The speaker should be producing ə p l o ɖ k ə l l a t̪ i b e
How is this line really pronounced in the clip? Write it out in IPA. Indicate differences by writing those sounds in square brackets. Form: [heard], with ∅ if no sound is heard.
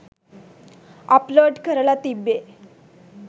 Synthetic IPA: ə p l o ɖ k ə [ɾ] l a t̪ i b e